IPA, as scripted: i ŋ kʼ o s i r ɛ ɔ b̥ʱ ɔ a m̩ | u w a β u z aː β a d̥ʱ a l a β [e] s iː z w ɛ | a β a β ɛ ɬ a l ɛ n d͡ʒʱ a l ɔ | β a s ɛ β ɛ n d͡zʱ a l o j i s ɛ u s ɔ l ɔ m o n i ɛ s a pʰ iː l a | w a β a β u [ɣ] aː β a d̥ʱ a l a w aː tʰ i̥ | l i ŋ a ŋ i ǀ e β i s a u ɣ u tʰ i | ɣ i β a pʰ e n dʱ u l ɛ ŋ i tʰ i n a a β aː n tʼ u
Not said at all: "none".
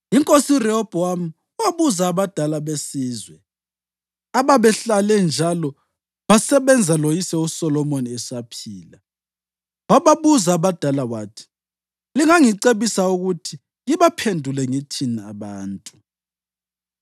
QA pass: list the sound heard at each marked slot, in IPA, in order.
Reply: e, z

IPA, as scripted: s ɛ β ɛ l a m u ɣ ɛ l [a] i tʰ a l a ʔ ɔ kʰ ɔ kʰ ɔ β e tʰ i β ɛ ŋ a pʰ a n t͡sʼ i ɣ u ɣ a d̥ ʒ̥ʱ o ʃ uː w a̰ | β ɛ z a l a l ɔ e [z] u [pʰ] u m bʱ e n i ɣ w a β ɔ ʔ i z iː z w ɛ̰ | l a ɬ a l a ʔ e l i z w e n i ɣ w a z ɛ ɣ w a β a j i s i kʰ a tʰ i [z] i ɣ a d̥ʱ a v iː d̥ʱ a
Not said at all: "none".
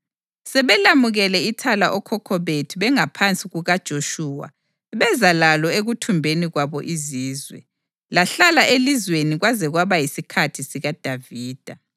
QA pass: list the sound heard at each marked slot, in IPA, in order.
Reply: ɛ, ɣ, tʰ, s

